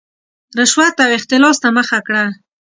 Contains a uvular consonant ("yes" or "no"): no